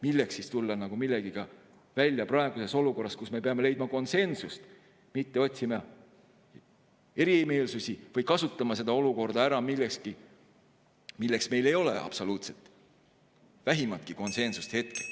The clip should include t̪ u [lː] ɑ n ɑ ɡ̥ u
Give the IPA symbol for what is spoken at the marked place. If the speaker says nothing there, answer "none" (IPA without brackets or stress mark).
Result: lː